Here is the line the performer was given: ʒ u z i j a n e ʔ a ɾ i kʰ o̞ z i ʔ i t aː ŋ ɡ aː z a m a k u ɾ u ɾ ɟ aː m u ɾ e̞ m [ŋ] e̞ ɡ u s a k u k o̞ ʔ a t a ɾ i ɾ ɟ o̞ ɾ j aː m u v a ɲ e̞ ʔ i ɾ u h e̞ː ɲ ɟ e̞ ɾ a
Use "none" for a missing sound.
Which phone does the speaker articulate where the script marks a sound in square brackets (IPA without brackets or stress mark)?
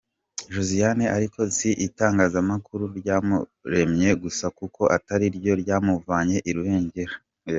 ɲ